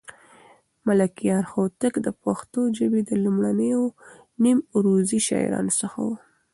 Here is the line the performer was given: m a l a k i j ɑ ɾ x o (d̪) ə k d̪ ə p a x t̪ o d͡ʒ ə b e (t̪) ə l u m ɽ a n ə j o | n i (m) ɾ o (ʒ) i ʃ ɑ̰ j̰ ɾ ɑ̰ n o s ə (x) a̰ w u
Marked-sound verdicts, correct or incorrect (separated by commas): incorrect, incorrect, correct, incorrect, correct